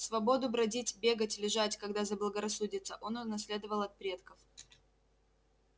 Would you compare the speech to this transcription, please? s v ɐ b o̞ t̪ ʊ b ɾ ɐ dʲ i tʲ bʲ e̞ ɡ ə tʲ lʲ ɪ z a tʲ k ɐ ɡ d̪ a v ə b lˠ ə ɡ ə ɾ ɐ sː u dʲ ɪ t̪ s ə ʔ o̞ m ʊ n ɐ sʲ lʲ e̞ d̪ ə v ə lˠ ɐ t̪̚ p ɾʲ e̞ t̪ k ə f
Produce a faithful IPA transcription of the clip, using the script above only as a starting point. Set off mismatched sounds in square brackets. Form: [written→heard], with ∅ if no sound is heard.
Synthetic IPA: s v ɐ b o̞ [t̪→d̪] ʊ b ɾ ɐ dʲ i tʲ bʲ e̞ ɡ ə tʲ lʲ ɪ [z→ʐ] a tʲ k ɐ ɡ d̪ a [v→z] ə b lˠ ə ɡ ə ɾ ɐ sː u dʲ ɪ t̪ s ə ʔ o̞ [m→n] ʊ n ɐ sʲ lʲ e̞ d̪ ə v ə lˠ ɐ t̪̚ p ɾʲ e̞ t̪ k ə f